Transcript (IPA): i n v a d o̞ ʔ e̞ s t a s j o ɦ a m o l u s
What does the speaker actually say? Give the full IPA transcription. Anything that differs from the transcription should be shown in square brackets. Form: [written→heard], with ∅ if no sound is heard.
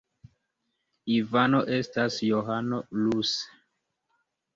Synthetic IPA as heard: i [n→∅] v a [d→n] o̞ ʔ e̞ s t a s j o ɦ a [m→n] o l u s